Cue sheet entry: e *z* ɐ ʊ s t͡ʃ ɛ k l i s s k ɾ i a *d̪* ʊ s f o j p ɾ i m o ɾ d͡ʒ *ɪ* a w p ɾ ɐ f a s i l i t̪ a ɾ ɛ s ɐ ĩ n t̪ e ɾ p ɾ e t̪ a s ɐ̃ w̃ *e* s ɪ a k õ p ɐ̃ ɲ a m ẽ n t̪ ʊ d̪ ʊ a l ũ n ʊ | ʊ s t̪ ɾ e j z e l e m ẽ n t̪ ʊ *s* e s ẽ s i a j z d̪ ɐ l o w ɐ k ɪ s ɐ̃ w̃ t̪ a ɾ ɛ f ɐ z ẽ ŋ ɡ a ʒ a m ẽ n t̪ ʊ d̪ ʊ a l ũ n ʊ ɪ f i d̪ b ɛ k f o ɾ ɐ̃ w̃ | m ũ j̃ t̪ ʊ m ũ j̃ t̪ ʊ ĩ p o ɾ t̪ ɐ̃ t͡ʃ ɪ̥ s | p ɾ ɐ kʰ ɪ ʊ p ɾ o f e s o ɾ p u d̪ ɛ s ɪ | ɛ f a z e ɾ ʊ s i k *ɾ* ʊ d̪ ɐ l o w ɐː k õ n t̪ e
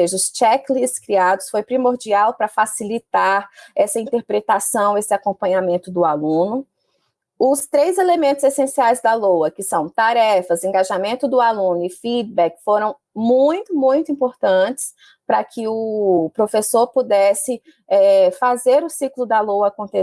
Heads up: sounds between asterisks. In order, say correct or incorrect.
incorrect, correct, incorrect, correct, incorrect, incorrect

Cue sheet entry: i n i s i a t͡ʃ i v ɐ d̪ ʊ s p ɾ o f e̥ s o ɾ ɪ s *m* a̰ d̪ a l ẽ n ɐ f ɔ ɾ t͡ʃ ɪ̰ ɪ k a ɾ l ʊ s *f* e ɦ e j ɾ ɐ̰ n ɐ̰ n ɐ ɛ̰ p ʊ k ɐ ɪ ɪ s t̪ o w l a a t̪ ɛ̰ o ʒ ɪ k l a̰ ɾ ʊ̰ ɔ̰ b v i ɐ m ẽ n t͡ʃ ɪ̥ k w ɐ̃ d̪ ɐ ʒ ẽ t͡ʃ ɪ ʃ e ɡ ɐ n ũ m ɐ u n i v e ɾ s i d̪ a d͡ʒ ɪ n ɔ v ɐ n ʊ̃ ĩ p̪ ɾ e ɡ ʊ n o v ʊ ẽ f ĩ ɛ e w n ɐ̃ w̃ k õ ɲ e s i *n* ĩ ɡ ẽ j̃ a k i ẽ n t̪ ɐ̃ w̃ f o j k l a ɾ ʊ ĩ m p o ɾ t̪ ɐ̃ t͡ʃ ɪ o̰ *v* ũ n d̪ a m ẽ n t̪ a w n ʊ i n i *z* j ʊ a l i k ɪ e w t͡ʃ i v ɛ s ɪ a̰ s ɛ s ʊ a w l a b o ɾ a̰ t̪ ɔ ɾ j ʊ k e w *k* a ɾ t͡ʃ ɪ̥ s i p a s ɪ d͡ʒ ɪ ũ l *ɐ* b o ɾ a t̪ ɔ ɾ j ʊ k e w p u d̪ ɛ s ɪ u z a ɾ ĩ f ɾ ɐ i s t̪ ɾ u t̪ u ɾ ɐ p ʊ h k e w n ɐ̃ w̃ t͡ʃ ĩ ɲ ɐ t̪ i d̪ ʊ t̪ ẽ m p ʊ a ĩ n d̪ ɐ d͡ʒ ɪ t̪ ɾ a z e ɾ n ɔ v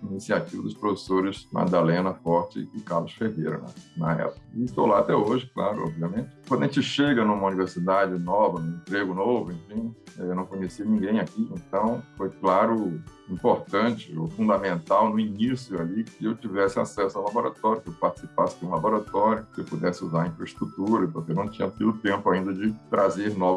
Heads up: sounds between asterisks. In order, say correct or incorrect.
correct, correct, correct, incorrect, incorrect, incorrect, incorrect

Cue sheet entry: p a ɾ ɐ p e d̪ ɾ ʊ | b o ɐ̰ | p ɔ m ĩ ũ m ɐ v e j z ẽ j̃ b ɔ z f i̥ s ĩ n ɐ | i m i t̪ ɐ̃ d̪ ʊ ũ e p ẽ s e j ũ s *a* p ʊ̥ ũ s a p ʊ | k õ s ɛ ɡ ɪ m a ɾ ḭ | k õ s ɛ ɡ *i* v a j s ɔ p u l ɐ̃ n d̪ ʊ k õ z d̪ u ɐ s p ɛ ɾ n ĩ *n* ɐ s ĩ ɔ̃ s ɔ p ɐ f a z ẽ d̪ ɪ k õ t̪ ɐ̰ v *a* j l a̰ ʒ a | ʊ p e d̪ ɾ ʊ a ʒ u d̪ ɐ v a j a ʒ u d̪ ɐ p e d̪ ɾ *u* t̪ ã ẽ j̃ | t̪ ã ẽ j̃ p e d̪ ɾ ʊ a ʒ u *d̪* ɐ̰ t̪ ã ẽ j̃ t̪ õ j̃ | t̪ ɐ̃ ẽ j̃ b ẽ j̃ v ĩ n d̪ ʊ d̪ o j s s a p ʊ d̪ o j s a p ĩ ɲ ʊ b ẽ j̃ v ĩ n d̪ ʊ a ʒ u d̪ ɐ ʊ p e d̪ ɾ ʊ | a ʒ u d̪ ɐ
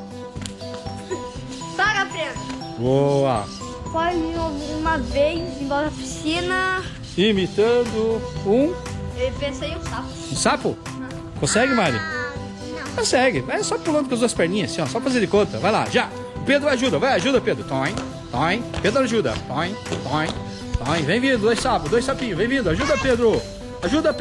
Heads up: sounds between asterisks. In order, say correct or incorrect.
correct, incorrect, incorrect, correct, incorrect, correct

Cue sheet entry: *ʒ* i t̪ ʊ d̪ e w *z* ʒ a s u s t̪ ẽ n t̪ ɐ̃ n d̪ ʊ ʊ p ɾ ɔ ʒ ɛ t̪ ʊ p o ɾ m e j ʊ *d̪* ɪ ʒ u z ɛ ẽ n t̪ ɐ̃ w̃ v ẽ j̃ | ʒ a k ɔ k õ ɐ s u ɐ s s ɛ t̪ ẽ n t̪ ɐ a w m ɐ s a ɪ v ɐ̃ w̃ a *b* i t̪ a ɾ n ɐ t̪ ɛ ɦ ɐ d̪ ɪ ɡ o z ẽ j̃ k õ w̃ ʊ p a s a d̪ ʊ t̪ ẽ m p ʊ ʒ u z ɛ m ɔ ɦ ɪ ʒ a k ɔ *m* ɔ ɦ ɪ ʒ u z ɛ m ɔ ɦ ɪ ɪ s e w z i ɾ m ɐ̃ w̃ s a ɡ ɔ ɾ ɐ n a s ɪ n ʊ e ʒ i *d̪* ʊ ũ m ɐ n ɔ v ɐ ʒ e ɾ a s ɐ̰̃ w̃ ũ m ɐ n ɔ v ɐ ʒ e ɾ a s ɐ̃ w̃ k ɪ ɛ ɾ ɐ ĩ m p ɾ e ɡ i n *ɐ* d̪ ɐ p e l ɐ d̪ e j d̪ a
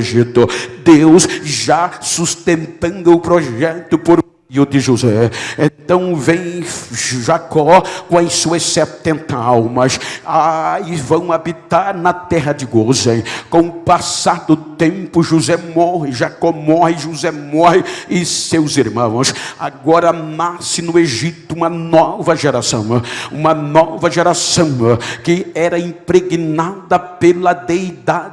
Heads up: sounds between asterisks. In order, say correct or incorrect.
correct, incorrect, correct, correct, correct, incorrect, incorrect

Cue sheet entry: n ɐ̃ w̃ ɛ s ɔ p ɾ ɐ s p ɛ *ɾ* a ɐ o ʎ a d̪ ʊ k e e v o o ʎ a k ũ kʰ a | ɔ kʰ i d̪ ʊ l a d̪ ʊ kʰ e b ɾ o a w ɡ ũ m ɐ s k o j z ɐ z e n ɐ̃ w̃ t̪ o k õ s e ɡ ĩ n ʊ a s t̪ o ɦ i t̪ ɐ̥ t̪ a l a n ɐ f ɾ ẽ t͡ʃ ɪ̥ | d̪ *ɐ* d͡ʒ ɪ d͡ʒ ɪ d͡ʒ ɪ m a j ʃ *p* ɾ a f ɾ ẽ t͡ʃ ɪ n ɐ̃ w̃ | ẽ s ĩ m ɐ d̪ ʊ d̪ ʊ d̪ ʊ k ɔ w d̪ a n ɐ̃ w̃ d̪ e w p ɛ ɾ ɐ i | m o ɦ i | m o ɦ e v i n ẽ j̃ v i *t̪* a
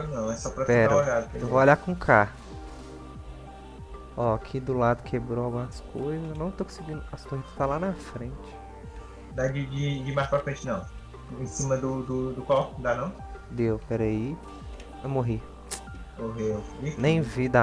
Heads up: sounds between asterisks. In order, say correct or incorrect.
correct, incorrect, correct, incorrect

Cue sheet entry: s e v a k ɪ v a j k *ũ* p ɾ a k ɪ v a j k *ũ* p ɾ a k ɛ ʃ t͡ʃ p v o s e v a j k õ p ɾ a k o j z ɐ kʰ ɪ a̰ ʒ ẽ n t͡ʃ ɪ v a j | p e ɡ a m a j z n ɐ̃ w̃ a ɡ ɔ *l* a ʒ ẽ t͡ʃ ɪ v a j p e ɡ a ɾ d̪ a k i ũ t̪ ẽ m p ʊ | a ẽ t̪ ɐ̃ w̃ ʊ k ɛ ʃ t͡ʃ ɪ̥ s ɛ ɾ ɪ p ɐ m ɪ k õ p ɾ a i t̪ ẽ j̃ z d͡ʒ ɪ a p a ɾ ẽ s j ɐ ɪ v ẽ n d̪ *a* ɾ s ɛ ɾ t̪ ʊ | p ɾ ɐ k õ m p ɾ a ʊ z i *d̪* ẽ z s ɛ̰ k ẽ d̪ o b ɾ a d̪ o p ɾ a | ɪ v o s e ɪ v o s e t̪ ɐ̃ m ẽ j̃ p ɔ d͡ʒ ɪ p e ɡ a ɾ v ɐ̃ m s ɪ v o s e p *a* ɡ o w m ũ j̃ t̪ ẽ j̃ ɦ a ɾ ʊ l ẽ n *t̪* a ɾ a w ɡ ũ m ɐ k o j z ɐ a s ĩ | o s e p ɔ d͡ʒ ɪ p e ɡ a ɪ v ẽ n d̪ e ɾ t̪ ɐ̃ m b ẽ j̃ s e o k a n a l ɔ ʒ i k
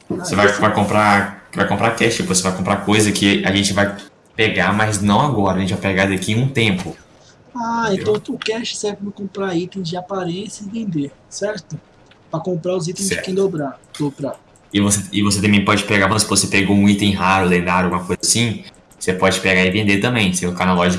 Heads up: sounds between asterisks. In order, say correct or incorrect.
incorrect, incorrect, incorrect, incorrect, incorrect, incorrect, incorrect

